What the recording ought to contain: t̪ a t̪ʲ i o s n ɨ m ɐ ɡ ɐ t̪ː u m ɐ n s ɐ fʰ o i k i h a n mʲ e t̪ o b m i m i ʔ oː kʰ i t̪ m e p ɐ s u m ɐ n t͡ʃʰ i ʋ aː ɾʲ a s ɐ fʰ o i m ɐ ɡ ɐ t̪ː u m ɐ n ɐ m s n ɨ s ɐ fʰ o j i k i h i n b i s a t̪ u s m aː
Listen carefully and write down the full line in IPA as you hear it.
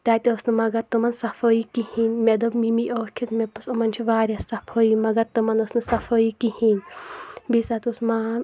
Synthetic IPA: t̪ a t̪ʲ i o s n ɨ m ɐ ɡ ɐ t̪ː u m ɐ n s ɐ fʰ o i k i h i n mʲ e d̪ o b m i m i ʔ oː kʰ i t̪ m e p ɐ s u m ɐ n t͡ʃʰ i ʋ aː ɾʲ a s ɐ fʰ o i m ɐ ɡ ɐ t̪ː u m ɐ n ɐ s n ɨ s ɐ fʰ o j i k i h i n b i s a t̪ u s m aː

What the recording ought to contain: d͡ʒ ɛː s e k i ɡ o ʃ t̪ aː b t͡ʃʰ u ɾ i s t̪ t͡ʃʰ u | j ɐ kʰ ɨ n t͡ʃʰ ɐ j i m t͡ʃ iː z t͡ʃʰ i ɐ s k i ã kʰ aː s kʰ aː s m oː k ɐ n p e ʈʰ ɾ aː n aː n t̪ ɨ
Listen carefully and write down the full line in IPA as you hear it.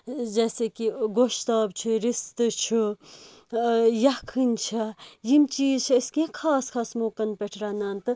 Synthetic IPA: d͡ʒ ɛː s e k i ɡ o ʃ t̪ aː b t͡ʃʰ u ɾ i s t̪ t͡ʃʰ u | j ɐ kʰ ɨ n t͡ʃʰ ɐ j i m t͡ʃ iː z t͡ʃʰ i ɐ s k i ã kʰ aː s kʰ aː s m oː k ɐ n p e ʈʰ ɾ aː n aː n t̪ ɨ

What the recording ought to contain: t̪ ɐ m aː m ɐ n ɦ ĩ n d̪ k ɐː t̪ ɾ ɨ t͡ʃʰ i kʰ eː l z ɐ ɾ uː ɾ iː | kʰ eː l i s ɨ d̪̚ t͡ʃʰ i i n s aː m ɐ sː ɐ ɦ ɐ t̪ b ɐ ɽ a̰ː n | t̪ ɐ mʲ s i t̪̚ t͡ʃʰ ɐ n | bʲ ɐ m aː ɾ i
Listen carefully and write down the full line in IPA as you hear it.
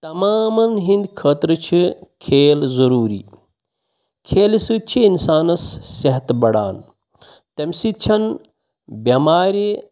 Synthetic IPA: t̪ ɐ m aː m ɐ n ɦ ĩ n d̪ kʰ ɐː t̪ ɾ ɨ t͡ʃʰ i kʰ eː l z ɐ ɾ uː ɾ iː | kʰ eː l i s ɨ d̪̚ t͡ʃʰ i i n s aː n ɐ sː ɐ ɦ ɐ t̪ b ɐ ɽ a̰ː n | t̪ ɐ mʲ s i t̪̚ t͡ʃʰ ɐ n | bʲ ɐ m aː ɾ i

